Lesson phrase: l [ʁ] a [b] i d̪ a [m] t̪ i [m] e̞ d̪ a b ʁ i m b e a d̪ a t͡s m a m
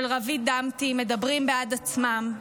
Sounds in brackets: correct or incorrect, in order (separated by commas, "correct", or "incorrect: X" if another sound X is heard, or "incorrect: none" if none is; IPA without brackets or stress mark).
correct, incorrect: v, correct, correct